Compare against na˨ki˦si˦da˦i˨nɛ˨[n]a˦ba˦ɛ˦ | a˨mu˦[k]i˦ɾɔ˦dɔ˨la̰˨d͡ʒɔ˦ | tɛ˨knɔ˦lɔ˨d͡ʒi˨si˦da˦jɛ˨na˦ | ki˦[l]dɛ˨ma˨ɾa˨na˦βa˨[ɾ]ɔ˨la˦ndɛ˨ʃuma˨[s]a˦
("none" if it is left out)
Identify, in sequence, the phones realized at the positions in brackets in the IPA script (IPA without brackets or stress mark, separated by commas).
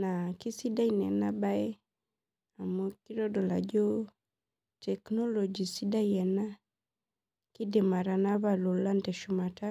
n, k, none, l, t